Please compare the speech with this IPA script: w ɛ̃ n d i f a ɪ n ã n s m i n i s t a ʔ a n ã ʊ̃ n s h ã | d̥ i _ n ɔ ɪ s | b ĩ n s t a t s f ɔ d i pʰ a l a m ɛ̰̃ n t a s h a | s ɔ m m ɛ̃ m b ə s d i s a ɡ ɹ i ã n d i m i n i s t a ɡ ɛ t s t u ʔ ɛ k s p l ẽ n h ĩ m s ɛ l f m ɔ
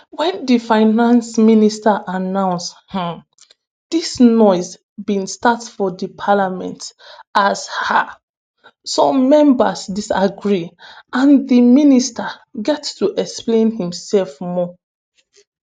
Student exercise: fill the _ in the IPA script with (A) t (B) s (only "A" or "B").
B